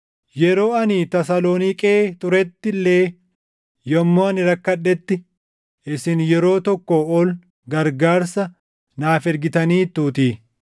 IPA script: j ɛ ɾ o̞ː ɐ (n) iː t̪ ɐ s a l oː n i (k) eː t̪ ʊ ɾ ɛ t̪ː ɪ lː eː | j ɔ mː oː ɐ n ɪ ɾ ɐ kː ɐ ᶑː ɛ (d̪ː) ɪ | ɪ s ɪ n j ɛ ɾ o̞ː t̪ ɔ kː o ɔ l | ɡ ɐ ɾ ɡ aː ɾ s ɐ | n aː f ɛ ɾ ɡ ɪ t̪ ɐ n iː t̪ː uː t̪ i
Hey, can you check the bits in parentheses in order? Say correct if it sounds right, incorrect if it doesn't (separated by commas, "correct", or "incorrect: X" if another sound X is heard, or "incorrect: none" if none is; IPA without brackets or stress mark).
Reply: correct, incorrect: kʼ, incorrect: t̪ː